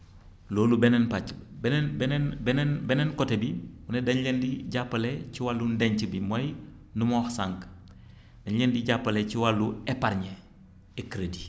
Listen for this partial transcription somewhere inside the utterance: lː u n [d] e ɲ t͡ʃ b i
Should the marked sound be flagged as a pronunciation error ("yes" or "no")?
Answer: no